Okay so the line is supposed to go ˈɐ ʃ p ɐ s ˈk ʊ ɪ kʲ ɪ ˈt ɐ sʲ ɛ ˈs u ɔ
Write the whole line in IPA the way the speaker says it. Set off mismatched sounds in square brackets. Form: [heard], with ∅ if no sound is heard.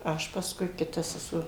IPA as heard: ˈɐ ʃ p ɐ s ˈk ʊ ɪ kʲ ɪ ˈt ɐ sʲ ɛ ˈs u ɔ